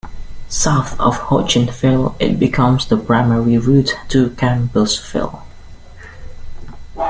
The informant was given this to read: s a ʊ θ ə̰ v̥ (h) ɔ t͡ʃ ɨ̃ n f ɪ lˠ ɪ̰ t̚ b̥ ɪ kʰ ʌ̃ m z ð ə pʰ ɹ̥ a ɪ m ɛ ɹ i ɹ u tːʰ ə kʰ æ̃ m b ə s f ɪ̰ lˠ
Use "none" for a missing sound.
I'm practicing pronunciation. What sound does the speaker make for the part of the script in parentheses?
h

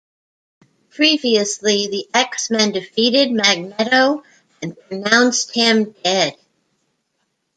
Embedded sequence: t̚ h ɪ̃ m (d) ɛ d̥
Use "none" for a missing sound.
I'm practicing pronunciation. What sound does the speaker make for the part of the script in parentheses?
d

